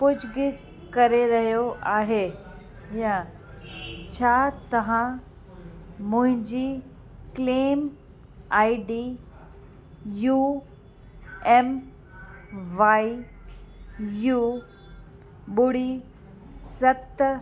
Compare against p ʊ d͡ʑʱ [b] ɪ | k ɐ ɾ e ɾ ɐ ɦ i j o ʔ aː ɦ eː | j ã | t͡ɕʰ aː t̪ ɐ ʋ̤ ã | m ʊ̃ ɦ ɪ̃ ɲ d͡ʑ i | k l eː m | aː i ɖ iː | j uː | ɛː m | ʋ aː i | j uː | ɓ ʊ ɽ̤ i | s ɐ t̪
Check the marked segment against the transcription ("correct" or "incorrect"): incorrect